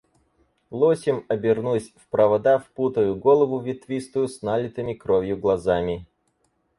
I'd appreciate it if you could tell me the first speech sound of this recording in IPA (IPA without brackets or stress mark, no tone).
lˠ